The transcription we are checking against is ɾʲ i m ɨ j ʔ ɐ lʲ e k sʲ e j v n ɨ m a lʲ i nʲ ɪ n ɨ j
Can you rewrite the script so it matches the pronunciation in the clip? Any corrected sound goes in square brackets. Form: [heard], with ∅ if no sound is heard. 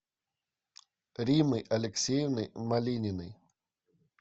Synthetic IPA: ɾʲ i m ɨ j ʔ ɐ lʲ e k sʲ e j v n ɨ m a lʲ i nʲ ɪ n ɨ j